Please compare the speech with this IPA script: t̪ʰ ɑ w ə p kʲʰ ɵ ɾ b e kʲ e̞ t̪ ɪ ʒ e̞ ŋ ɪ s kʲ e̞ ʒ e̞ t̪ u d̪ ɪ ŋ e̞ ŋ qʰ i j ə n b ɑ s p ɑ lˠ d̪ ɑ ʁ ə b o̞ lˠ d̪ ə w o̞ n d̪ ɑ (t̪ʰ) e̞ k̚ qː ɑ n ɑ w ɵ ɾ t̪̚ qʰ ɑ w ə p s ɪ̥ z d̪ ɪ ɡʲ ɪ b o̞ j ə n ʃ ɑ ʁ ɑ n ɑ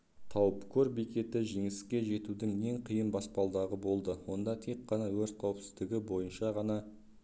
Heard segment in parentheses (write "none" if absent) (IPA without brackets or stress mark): t̪ʰ